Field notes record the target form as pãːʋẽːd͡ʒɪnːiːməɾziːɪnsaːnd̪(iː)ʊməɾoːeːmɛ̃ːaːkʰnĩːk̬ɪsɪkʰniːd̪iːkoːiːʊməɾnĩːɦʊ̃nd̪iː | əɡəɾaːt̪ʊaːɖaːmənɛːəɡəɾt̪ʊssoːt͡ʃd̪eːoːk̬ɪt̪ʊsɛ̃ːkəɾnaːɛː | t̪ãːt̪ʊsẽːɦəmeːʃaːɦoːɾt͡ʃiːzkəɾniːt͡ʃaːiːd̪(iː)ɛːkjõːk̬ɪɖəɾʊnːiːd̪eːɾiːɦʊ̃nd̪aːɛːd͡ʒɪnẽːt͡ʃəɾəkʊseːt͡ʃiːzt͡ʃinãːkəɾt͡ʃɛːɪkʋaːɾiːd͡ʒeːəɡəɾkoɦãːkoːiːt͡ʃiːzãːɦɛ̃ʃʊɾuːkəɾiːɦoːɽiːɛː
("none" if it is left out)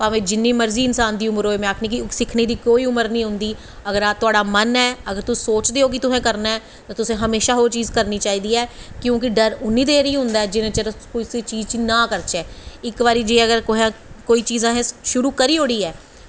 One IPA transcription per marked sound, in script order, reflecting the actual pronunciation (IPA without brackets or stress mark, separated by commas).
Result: iː, iː